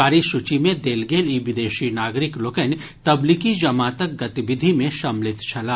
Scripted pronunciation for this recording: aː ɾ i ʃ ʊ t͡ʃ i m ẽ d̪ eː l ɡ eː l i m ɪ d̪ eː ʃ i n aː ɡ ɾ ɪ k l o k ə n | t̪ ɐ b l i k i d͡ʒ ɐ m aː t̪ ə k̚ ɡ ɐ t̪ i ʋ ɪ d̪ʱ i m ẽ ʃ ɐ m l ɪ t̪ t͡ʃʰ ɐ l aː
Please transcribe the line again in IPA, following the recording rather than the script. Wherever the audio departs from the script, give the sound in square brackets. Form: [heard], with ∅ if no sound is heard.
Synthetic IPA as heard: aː ɾ i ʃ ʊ t͡ʃ i m ẽ d̪ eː l ɡ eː l i [b] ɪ d̪ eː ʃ i n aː ɡ ɾ ɪ k l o k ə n | t̪ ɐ b l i k i d͡ʒ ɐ m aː t̪ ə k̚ ɡ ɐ t̪ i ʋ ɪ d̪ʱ i m ẽ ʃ ɐ m l ɪ t̪ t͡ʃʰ ɐ l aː